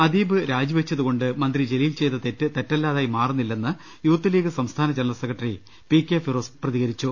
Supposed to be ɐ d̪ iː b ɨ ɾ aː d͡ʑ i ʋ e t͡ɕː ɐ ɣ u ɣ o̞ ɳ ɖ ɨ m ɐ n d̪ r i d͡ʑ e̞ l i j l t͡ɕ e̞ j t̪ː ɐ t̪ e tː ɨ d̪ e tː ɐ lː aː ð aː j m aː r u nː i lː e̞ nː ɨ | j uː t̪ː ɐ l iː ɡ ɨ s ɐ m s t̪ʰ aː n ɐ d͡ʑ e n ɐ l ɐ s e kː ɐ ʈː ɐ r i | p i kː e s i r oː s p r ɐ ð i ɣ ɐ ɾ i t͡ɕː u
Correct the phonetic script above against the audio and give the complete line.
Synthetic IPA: ɐ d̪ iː b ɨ ɾ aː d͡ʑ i ʋ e t͡ɕː ɐ ð u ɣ o̞ ɳ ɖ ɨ m ɐ n d̪ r i d͡ʑ e̞ l i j l t͡ɕ e̞ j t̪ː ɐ t̪ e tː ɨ t̪ e tː ɐ lː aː ð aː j m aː r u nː i lː e̞ nː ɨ | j uː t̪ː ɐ l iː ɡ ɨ s ɐ m s t̪ʰ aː n ɐ d͡ʑ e n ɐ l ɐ s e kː ɐ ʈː ɐ r i | p i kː e f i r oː s p r ɐ ð i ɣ ɐ ɾ i t͡ɕː u